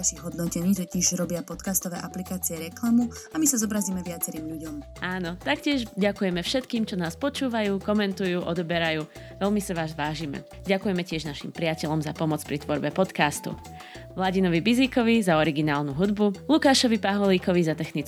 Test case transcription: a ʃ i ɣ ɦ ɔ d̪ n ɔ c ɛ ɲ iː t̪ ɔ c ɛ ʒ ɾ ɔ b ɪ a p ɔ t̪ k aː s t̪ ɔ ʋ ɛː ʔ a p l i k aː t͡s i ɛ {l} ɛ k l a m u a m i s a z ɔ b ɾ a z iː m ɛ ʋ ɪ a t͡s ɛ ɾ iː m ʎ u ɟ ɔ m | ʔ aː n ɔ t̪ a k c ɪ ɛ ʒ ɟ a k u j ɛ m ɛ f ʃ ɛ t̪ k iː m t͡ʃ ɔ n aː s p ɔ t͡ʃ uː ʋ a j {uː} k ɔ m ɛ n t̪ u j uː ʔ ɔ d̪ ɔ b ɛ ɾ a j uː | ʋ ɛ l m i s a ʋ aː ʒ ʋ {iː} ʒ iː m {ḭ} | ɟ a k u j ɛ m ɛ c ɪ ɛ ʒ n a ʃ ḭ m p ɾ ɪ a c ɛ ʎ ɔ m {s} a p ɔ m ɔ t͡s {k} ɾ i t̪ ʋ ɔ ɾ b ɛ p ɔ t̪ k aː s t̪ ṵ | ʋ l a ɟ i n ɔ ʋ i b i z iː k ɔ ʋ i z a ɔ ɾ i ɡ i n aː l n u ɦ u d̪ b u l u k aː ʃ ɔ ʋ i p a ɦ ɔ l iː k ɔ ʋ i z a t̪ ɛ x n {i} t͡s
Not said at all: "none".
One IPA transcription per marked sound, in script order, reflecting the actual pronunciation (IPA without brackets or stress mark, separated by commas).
ɾ, uː, aː, ɛ̰, z, p, i